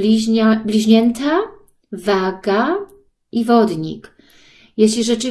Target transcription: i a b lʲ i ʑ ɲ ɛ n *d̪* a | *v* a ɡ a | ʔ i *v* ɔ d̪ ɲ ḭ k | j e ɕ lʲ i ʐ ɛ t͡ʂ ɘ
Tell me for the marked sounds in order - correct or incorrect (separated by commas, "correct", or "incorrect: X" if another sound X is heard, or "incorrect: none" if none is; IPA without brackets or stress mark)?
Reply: incorrect: t̪, correct, correct